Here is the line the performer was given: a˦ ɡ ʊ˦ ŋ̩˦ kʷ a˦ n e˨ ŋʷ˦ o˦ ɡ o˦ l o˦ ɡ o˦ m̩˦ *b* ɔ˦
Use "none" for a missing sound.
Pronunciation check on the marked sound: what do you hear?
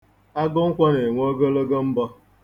b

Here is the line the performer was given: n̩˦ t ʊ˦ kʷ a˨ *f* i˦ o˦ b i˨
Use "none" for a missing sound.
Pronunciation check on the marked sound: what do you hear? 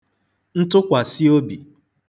s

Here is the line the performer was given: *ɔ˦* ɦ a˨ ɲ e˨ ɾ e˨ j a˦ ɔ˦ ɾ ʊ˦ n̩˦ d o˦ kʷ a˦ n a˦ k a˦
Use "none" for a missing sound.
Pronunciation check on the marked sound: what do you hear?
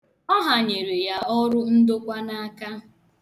ɔ˦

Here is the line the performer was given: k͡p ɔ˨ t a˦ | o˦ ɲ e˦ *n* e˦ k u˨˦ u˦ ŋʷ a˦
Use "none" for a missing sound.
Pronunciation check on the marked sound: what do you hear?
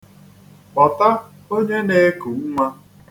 n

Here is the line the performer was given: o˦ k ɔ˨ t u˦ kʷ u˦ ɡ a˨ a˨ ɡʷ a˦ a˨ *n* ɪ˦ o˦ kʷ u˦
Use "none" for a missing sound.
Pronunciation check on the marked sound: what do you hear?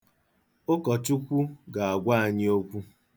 ɲ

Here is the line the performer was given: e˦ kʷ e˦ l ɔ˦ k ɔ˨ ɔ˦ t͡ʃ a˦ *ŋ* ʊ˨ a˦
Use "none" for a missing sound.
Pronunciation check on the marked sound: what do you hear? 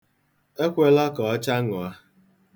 ŋ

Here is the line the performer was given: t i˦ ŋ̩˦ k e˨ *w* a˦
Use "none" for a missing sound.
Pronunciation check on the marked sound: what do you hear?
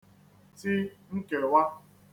w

